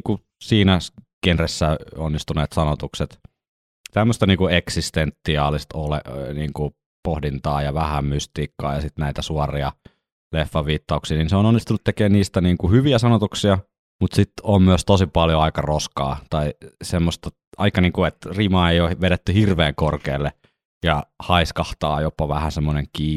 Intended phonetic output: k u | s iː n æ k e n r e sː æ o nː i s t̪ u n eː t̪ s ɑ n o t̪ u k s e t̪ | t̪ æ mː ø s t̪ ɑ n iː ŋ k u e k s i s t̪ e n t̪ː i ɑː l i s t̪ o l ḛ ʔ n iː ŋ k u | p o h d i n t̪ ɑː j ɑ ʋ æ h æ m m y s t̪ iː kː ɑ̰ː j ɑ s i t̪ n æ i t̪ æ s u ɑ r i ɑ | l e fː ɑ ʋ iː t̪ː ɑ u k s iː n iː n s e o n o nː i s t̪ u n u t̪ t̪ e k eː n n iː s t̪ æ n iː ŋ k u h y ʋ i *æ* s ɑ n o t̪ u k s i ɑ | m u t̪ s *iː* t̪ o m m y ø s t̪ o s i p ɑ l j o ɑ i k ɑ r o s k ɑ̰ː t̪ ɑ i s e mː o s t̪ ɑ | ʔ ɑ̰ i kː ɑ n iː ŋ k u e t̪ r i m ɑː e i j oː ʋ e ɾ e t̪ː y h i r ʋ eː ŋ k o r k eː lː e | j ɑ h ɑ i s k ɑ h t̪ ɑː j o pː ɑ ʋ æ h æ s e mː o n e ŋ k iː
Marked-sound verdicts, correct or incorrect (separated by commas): correct, incorrect